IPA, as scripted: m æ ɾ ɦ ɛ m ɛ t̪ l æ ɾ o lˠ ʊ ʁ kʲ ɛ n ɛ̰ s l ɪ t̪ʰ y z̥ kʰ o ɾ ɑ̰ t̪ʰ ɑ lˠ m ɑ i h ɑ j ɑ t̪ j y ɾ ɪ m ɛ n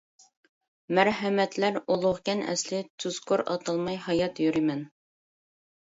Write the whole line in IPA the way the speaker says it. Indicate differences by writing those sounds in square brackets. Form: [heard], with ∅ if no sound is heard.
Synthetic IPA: m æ ɾ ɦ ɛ m ɛ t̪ l æ ɾ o lˠ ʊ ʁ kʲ ɛ n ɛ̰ s l ɪ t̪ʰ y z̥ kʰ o ɾ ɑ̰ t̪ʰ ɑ lˠ m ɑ [j] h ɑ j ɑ t̪ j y ɾ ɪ m ɛ n